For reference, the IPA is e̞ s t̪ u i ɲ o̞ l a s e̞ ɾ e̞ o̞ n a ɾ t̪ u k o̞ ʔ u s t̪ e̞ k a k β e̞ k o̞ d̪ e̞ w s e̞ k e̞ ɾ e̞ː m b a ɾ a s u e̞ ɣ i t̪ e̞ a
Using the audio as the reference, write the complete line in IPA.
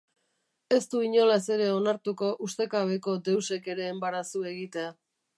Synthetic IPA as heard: e̞ s t̪ u i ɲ o̞ l a s e̞ ɾ e̞ o̞ n a ɾ t̪ u k o̞ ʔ u s t̪ e̞ k a β e̞ k o̞ d̪ e̞ w s e̞ k e̞ ɾ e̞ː m b a ɾ a s u e̞ ɣ i t̪ e̞ a